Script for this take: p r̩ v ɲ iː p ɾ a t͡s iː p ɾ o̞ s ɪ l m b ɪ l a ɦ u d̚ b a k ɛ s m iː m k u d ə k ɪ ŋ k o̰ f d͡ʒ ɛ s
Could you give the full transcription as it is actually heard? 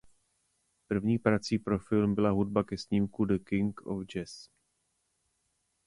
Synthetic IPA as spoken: p r̩ v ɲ iː p ɾ a t͡s iː p ɾ o̞ f ɪ l m b ɪ l a ɦ u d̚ b a k ɛ s ɲ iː m k u d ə k ɪ ŋ k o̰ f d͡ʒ ɛ s